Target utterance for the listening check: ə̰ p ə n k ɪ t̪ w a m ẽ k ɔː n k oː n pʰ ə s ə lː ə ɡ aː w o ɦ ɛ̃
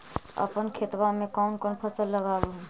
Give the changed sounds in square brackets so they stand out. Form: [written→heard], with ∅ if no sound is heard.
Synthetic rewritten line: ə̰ p ə n [k→kʰ] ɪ t̪ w a m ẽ k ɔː n k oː n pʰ ə s ə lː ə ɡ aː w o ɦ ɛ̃